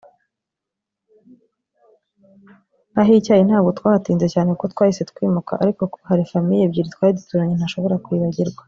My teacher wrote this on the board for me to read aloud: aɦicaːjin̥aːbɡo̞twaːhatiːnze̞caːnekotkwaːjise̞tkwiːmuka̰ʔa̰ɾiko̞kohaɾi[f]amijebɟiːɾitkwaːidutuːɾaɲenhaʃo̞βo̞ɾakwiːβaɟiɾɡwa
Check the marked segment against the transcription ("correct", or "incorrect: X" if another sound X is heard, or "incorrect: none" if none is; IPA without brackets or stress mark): correct